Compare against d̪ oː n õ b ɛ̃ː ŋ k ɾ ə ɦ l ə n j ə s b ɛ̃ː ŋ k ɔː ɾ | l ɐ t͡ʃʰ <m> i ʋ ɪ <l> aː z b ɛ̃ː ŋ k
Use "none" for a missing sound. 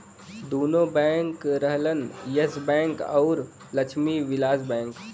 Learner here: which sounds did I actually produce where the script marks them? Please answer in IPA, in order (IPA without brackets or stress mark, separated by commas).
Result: m, l